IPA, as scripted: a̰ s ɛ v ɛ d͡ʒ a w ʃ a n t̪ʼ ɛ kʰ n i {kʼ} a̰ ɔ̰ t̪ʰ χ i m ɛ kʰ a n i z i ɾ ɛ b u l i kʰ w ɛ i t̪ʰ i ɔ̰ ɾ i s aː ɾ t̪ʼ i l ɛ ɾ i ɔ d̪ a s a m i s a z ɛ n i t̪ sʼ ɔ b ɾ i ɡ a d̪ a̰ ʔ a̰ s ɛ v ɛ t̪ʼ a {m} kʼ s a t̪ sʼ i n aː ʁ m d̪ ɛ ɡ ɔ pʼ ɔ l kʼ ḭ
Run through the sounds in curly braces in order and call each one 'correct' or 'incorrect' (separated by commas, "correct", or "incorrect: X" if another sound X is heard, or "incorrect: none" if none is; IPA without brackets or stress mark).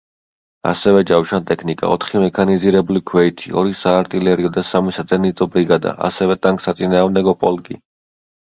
correct, incorrect: ŋ